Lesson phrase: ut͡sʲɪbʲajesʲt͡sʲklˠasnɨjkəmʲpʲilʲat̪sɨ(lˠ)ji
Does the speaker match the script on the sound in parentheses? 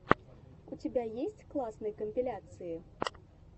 no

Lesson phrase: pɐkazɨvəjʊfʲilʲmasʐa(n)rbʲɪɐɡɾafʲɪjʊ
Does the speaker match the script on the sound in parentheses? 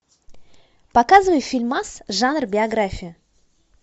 yes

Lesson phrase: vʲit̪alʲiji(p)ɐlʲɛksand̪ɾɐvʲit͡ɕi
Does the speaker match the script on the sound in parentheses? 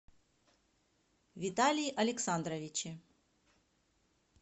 no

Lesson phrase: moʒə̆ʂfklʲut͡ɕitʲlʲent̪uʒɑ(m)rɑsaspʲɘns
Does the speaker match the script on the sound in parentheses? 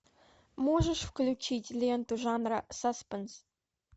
no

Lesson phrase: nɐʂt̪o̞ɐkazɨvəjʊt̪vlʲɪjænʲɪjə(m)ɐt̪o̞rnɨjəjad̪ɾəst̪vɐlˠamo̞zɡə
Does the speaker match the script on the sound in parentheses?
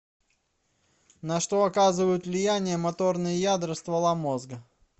yes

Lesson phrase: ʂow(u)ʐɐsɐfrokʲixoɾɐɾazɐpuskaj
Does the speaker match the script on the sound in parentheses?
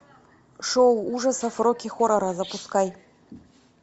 yes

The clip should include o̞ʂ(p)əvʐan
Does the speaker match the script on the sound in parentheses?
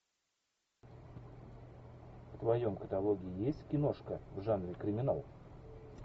no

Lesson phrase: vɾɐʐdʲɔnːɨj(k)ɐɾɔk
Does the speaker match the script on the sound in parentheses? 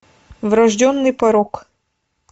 no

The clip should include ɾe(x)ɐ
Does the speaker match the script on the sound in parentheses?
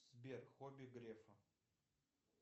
no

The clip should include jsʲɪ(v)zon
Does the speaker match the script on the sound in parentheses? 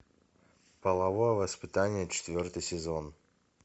no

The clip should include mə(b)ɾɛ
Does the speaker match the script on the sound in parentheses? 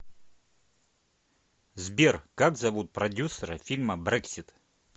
yes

